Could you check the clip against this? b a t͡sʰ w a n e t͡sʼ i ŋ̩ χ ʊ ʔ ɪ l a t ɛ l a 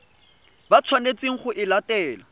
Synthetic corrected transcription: b a t͡sʰ w a n e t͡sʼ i ŋ̩ χ ʊ ʔ ɪ l a t ɛː l a